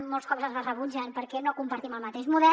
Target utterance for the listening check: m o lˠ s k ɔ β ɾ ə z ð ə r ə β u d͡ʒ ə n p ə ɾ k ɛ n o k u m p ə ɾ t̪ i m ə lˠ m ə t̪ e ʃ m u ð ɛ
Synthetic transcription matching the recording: m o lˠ s k ɔ β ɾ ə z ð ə r ə β u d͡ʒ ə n p ə ɾ k ɛ n o k u m p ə ɾ t̪ i m ə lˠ m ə t̪ e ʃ m u ð ɛ